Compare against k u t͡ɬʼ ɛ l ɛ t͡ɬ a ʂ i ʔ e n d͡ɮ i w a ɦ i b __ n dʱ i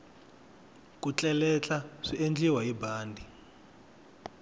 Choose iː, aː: aː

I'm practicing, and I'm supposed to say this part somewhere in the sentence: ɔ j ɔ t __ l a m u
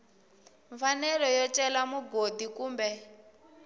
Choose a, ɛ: ɛ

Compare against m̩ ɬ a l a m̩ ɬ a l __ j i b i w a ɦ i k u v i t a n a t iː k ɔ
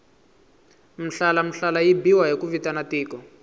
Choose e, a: a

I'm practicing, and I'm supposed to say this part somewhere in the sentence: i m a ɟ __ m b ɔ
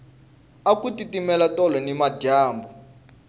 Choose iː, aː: aː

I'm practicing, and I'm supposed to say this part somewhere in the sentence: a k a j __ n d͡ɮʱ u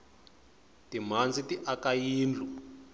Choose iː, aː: iː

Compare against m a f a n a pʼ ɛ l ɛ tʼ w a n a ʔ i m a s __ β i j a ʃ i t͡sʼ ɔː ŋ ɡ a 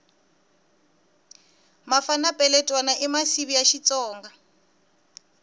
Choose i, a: i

